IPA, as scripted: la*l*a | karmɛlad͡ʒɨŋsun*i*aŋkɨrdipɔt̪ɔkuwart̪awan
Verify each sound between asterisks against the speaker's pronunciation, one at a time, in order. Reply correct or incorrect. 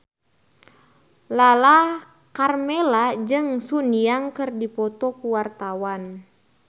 correct, correct

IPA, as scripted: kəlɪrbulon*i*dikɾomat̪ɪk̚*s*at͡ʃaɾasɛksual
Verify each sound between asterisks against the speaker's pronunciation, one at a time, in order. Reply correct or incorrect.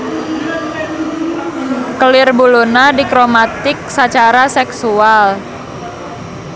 incorrect: a, correct

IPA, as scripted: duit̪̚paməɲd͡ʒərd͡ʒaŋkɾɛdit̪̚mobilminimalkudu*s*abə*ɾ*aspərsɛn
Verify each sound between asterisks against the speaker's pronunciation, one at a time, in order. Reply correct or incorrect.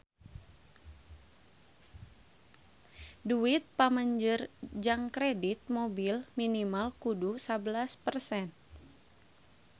correct, incorrect: l

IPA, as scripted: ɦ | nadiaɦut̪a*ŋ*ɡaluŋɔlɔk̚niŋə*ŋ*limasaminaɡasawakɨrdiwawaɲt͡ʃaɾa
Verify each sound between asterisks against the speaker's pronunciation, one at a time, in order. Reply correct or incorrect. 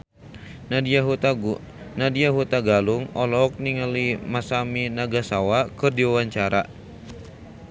incorrect: none, incorrect: none

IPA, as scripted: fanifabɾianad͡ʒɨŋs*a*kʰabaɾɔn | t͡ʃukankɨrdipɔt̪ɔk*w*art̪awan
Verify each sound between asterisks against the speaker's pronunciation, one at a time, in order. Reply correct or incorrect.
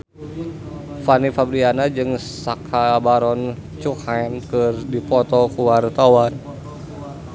correct, incorrect: u

